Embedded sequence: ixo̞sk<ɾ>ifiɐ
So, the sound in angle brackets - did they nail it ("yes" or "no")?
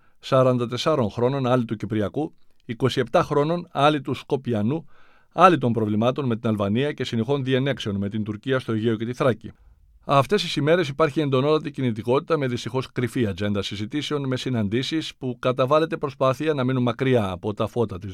yes